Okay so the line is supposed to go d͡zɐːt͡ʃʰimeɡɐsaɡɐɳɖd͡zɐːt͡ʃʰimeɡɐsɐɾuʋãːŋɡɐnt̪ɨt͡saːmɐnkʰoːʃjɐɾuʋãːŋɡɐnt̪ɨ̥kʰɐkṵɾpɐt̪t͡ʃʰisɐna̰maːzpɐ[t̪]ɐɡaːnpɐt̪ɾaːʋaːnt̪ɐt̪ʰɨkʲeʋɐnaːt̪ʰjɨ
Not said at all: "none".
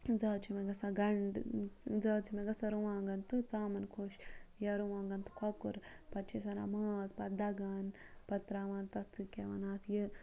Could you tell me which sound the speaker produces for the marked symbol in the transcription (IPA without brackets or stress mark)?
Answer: d̪